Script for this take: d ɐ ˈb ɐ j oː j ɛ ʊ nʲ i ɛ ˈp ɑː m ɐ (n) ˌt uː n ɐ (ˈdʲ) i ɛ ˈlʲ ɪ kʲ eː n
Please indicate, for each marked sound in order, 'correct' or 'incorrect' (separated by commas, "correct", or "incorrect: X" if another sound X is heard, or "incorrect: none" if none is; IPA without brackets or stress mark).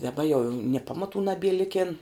incorrect: none, incorrect: bʲ